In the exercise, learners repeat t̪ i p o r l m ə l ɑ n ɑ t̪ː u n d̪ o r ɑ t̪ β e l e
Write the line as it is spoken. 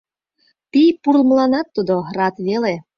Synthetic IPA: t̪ i p u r l m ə l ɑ n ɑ t̪ː u d̪ o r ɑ t̪ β e l e